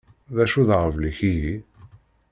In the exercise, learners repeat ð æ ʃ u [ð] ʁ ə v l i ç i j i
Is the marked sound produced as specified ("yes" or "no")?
yes